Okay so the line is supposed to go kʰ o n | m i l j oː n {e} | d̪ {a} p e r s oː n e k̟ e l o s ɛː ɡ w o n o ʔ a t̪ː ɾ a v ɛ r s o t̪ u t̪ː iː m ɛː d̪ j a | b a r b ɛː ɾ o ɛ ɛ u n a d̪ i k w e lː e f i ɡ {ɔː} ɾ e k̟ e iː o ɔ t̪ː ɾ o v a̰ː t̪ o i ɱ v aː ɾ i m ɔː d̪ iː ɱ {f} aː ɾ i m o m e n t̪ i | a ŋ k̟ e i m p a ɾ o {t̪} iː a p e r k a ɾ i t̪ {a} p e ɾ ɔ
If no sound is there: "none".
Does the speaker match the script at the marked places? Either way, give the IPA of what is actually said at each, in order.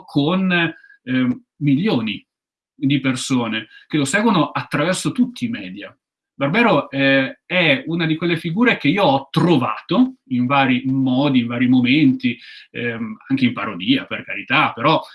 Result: i, i, uː, v, d̪, a

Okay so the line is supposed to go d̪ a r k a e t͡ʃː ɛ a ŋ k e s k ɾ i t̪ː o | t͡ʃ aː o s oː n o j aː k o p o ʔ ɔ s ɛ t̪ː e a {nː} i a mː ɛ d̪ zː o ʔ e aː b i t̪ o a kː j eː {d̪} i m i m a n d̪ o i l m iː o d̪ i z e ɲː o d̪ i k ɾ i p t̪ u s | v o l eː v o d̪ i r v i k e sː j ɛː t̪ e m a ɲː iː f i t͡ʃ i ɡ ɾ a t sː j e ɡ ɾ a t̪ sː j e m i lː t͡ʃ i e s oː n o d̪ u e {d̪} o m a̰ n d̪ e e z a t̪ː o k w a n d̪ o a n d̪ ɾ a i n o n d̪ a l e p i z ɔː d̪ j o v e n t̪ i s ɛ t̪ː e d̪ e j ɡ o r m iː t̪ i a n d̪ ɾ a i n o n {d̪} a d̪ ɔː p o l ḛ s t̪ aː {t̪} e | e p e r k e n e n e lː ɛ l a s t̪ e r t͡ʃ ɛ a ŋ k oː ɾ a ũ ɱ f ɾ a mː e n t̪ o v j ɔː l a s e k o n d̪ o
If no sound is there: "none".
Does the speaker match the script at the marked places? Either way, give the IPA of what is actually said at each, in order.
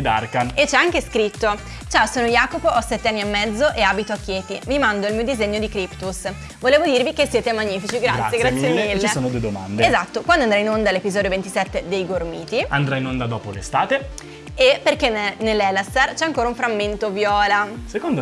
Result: nː, t̪, d̪, d̪, t̪

